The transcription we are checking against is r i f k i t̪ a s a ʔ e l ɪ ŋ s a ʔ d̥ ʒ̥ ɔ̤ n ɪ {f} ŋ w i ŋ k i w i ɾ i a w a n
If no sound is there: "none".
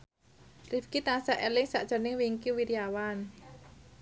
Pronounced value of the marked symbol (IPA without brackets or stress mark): none